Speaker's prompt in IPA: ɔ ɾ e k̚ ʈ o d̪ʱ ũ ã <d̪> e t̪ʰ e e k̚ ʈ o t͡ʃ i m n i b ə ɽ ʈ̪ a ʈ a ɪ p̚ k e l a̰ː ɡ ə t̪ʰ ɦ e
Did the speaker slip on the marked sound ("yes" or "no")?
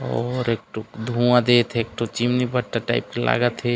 no